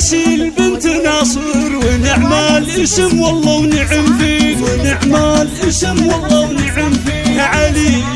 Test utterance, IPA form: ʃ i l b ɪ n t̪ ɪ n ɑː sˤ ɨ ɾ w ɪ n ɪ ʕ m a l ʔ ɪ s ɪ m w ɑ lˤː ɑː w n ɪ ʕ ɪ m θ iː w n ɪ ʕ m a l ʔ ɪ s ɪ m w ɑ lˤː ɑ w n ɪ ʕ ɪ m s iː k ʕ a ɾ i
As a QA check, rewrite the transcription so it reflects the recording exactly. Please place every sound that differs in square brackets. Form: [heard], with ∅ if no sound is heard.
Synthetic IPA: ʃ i l b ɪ n t̪ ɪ n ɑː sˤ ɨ ɾ w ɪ n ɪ ʕ m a l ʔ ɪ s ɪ m w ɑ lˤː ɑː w n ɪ ʕ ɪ m [f] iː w n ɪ ʕ m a l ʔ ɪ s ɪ m w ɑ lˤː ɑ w n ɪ ʕ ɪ m [f] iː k ʕ a [l] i